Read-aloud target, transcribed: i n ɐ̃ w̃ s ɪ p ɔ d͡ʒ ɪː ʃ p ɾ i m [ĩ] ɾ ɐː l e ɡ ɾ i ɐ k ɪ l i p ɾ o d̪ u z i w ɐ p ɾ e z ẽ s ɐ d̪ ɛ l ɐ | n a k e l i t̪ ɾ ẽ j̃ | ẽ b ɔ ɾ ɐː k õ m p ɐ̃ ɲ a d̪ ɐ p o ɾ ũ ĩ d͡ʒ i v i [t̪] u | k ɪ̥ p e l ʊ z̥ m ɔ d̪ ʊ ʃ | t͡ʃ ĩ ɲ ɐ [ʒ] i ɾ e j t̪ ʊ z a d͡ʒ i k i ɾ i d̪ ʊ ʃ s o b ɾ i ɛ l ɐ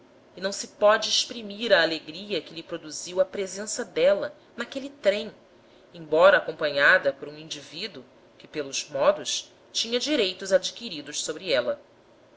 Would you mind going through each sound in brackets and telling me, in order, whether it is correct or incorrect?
incorrect, incorrect, incorrect

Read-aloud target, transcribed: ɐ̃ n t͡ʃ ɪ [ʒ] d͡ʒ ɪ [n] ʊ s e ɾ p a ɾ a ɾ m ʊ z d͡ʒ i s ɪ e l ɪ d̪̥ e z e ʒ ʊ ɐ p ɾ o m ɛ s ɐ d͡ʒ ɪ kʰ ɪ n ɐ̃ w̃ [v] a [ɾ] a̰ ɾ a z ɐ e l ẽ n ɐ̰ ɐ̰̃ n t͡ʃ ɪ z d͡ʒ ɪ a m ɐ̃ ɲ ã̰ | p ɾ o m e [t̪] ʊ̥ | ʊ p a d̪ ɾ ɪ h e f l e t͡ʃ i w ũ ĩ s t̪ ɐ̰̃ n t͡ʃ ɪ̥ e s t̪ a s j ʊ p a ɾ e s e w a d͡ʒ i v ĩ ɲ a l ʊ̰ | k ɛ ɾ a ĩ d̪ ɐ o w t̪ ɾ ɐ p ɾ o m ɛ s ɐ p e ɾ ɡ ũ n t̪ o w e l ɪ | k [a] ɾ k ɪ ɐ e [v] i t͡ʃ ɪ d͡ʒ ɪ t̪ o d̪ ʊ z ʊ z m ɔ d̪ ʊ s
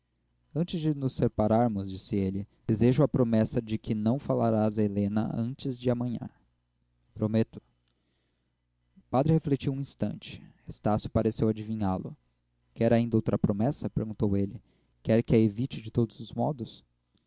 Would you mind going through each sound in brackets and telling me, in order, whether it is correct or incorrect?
incorrect, correct, incorrect, incorrect, correct, incorrect, correct

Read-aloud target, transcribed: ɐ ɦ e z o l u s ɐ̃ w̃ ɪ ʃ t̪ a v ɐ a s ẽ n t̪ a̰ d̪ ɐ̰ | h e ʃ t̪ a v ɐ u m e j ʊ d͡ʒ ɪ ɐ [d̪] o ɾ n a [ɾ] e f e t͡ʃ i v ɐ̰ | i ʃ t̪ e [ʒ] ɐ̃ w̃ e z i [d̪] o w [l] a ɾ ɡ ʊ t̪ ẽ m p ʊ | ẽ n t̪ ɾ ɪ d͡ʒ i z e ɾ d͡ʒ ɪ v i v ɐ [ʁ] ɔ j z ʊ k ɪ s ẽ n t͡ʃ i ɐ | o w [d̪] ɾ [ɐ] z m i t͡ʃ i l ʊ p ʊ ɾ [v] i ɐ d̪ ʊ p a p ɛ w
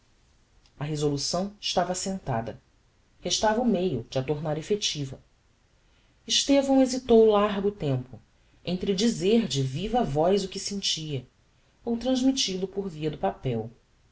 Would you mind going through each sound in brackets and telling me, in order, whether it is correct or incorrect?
incorrect, correct, incorrect, incorrect, correct, incorrect, incorrect, incorrect, correct

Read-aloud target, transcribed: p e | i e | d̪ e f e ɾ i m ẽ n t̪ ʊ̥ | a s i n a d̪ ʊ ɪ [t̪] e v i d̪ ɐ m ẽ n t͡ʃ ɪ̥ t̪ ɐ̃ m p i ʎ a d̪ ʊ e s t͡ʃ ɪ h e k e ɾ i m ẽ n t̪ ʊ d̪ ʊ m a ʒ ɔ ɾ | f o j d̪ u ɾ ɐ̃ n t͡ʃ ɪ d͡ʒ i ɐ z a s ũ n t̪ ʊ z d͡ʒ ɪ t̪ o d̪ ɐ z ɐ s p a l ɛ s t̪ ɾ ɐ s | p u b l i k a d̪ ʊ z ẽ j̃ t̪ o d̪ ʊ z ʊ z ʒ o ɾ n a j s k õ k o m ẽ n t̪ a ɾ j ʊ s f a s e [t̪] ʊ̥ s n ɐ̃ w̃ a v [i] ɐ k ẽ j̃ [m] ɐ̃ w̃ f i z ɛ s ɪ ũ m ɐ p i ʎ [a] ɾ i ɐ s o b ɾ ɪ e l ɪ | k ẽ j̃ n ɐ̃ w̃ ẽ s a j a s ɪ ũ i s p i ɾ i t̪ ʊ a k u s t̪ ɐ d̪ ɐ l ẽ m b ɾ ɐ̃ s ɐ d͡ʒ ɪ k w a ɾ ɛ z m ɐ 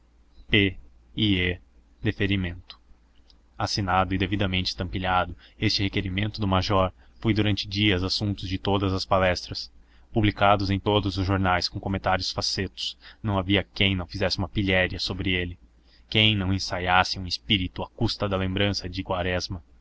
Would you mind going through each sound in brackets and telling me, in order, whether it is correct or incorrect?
incorrect, correct, correct, incorrect, incorrect

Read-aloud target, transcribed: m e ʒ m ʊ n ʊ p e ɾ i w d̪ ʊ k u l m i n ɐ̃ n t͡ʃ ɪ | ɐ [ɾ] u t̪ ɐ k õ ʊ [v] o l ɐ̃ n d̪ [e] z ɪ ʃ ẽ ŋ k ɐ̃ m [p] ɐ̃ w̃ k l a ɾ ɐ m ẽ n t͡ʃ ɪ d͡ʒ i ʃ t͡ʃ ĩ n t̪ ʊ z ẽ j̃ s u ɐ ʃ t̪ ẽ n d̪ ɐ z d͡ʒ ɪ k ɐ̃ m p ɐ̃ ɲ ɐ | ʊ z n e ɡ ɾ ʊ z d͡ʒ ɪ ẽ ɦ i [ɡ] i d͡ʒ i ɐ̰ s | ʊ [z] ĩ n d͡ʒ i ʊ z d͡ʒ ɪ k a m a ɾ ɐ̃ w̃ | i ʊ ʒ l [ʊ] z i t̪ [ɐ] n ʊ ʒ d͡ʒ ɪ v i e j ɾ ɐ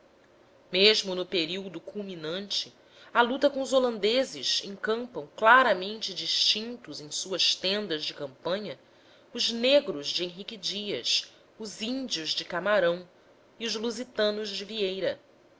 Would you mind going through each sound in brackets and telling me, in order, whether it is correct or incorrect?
incorrect, incorrect, correct, correct, incorrect, correct, incorrect, incorrect

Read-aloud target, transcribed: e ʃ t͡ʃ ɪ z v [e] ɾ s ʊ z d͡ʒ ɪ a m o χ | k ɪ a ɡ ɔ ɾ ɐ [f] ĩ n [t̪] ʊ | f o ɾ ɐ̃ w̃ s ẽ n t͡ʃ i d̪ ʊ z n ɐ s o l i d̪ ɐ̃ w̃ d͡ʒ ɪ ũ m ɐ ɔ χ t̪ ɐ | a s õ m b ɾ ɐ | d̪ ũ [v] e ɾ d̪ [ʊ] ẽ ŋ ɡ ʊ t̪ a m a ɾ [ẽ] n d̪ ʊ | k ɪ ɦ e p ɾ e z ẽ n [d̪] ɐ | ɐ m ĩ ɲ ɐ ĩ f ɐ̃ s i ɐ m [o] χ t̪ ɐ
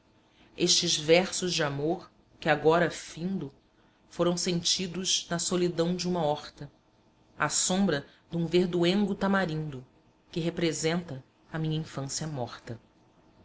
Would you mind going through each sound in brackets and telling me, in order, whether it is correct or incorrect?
incorrect, correct, incorrect, correct, incorrect, incorrect, incorrect, incorrect

